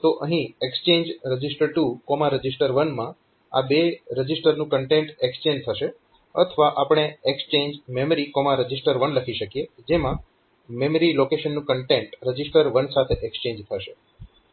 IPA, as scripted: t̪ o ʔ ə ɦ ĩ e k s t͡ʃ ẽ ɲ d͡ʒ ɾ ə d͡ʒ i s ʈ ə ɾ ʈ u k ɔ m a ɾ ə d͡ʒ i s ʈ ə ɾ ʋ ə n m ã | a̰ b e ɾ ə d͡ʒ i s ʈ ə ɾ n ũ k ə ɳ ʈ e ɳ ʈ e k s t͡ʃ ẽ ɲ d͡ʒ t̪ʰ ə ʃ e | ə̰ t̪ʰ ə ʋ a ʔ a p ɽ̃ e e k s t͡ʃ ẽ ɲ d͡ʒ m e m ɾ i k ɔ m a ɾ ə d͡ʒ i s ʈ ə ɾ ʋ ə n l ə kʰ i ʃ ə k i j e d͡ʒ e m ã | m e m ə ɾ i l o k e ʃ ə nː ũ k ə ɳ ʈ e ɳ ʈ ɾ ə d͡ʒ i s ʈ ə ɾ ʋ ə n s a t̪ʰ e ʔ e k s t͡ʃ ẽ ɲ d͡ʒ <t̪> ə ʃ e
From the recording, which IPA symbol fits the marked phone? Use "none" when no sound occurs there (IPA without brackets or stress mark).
t̪ʰ